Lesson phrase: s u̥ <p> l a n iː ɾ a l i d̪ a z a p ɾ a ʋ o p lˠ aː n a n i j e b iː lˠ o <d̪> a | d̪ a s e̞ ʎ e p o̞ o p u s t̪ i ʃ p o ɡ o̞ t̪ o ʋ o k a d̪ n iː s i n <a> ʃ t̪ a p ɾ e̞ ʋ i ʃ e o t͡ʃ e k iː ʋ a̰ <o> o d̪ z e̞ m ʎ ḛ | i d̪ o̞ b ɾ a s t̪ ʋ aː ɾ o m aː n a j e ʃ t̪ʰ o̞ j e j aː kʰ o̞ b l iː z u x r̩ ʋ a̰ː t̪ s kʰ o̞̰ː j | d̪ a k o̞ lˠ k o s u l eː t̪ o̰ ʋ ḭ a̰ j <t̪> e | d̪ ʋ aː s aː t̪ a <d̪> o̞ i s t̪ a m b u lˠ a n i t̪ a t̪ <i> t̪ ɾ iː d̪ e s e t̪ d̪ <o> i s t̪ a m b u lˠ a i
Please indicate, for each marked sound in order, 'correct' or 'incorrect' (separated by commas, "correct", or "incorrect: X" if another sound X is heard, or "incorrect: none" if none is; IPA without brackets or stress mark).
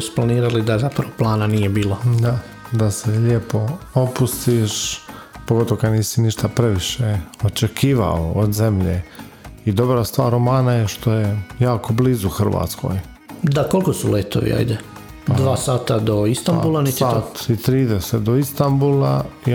correct, correct, incorrect: i, correct, incorrect: d̪, correct, correct, correct